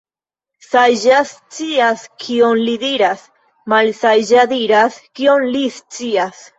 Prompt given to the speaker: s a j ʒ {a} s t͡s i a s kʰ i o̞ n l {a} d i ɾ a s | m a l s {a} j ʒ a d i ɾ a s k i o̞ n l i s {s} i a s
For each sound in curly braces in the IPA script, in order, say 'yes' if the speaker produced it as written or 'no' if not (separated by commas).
yes, no, yes, no